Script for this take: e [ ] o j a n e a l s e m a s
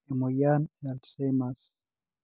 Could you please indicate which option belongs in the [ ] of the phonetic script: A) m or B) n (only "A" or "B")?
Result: A